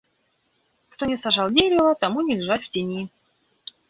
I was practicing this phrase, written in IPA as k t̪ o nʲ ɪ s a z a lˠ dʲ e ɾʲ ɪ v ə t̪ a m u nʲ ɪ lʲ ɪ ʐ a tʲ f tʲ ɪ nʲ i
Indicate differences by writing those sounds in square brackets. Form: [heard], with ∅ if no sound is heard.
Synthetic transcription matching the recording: k t̪ o nʲ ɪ s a [ʐ] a lˠ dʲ e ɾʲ ɪ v ə t̪ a m u nʲ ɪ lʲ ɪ ʐ a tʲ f tʲ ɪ nʲ i